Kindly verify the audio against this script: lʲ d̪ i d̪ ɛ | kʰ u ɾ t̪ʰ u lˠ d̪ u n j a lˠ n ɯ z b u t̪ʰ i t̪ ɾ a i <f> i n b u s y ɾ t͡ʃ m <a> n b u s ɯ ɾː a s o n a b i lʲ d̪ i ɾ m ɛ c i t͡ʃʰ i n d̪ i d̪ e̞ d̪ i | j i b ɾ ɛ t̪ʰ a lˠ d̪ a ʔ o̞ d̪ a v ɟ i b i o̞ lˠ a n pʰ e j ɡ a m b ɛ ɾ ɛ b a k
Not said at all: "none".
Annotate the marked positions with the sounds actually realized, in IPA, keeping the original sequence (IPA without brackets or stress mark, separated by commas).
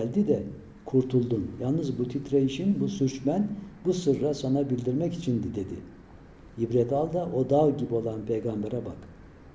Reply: ʃ, æ